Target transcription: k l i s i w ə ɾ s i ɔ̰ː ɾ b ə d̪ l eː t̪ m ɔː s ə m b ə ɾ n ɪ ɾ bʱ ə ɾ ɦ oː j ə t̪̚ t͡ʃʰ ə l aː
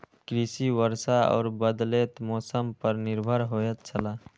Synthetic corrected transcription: k ɾ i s i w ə ɾ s a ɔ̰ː ɾ b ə d̪ l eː t̪ m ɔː s ə m p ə ɾ n ɪ ɾ bʱ ə ɾ ɦ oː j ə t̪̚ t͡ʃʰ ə l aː